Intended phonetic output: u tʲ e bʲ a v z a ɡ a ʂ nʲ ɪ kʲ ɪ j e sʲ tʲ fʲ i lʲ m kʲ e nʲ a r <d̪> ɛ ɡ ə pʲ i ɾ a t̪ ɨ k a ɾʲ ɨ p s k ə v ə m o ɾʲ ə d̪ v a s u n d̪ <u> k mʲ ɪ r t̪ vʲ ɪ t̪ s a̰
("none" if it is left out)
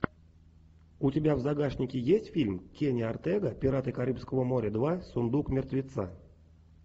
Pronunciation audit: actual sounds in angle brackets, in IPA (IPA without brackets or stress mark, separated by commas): t̪, u